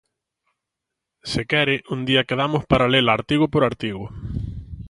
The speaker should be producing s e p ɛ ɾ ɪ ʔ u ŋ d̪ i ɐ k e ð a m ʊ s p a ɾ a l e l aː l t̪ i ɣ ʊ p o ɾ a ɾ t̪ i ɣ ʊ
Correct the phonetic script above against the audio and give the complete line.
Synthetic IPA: s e k ɛ ɾ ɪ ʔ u n d̪ i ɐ k e ð a m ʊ s p a ɾ a l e l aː ɾ t̪ i ɣ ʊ p o ɾ a ɾ t̪ i ɣ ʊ